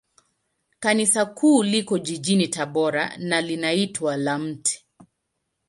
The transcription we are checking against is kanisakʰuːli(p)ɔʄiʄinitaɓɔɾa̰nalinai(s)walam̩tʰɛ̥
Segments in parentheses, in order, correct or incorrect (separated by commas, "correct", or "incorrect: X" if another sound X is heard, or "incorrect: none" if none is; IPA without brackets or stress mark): incorrect: k, incorrect: t